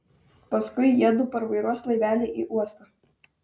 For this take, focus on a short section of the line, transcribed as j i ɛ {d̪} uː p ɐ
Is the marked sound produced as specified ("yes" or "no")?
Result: yes